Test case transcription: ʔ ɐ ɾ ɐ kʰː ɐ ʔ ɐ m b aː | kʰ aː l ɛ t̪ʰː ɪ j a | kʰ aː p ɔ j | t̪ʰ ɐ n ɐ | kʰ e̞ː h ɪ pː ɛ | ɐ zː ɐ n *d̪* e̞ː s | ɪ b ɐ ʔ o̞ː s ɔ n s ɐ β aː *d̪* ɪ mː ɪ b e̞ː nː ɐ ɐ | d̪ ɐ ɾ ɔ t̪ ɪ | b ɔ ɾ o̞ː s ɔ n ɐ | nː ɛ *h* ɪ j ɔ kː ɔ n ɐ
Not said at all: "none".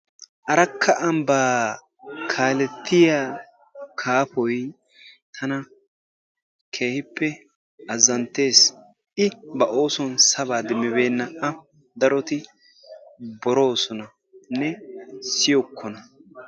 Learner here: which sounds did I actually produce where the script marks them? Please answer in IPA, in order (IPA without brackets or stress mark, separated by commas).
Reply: t̪, d̪, s